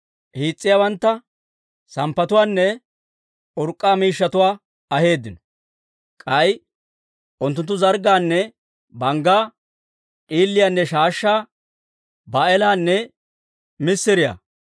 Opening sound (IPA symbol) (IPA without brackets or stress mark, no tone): h